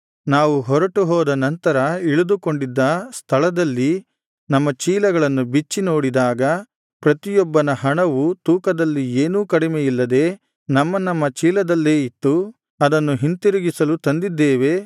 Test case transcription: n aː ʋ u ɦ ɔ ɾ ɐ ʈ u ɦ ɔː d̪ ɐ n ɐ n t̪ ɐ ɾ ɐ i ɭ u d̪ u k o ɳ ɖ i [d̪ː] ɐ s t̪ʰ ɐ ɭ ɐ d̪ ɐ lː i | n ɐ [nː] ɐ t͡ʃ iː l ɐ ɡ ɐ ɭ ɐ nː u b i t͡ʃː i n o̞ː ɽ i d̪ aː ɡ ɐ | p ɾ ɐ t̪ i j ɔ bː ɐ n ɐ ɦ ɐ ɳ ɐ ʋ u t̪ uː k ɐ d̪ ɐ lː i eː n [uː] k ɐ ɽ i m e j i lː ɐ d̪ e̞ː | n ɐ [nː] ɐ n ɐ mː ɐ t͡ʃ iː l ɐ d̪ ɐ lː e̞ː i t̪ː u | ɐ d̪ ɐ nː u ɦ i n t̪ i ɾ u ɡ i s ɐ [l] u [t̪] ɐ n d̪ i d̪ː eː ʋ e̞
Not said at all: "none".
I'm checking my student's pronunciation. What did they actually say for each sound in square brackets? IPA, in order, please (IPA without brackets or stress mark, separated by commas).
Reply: d̪ː, mː, uː, mː, l, t̪